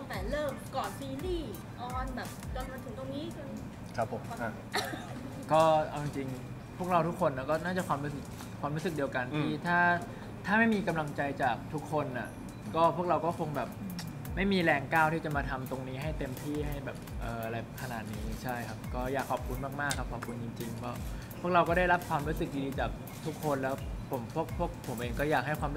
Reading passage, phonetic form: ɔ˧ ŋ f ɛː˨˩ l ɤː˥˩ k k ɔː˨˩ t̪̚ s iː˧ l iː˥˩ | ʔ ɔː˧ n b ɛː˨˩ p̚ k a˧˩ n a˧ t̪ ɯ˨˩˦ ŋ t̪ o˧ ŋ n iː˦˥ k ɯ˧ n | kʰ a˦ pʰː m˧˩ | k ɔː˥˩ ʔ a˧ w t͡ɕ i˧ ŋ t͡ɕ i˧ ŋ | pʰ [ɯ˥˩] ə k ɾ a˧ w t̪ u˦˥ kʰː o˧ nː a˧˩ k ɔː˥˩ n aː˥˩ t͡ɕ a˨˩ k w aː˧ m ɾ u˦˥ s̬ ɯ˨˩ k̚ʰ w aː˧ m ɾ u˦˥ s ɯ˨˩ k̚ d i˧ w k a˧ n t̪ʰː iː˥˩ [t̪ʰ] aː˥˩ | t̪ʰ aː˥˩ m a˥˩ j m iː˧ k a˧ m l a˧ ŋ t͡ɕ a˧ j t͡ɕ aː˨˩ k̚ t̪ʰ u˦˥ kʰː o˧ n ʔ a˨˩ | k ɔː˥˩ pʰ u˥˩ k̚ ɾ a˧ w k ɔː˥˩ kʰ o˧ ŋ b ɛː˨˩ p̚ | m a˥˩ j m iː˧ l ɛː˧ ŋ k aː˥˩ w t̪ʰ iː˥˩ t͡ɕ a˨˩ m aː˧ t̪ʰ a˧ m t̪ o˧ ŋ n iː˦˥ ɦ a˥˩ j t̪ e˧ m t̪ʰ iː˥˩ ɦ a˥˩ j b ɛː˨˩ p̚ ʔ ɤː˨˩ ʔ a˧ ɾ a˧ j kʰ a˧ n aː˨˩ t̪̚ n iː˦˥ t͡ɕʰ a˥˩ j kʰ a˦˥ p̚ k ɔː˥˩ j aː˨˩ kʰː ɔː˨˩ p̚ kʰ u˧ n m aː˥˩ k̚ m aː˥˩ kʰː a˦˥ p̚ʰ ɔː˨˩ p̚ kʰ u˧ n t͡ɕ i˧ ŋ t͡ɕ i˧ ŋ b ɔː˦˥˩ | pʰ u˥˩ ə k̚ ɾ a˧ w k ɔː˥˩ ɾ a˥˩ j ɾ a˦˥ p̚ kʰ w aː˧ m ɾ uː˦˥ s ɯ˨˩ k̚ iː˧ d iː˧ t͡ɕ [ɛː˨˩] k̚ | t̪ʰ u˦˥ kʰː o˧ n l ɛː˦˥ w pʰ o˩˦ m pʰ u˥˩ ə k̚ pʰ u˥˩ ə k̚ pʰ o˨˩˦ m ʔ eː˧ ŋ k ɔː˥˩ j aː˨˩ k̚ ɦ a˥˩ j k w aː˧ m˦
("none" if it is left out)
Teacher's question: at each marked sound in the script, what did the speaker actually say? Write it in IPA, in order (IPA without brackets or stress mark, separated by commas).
u˥˩, t̪ʰ, aː˨˩